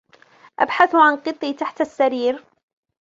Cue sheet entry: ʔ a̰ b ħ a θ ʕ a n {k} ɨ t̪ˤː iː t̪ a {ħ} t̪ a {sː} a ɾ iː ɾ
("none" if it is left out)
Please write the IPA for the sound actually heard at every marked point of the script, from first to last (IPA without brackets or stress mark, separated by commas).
q, ħ, sː